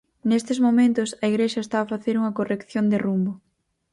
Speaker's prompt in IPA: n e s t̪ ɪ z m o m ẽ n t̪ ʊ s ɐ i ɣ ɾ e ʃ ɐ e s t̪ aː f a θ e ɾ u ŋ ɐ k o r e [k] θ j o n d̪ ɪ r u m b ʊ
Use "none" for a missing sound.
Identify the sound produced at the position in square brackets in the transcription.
k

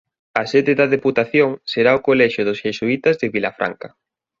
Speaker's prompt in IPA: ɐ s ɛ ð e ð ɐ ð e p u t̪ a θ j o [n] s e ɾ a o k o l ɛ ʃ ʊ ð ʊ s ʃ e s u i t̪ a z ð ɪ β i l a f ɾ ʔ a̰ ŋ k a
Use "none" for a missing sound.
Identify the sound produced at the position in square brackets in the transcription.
ŋ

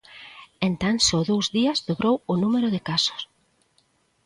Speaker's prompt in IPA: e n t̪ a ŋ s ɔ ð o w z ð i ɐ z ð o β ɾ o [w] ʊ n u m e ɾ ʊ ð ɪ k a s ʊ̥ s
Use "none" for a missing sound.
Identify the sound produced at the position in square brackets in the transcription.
w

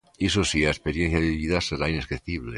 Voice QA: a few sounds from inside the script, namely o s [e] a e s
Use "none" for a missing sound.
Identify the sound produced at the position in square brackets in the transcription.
i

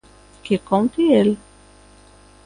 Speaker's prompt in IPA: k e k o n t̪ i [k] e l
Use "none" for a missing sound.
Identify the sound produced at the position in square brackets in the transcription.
none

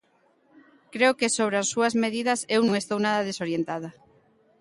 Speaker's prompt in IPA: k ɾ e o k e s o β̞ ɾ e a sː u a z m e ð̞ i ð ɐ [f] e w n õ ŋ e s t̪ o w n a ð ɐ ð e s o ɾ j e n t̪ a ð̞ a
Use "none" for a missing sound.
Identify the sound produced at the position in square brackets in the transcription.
s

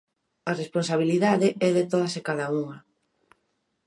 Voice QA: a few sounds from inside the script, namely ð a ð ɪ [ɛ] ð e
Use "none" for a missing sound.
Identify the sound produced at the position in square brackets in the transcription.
ɛ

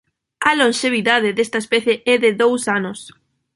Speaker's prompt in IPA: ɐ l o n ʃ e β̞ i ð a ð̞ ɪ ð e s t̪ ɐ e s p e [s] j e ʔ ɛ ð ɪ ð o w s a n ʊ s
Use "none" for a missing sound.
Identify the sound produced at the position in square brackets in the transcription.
θ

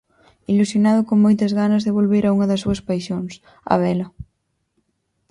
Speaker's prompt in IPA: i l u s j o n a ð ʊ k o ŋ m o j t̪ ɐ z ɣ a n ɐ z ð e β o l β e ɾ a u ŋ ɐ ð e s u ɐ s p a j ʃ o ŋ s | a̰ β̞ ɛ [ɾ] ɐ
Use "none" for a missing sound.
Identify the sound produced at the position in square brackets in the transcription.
l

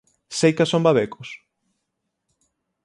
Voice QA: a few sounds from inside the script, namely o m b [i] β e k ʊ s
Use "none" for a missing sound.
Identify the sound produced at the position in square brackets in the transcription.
a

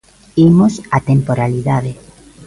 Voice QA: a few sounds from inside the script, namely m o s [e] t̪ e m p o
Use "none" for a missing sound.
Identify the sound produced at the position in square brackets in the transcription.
a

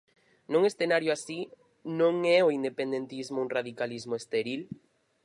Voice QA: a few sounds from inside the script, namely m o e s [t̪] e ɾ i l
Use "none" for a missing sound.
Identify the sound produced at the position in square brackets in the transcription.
t̪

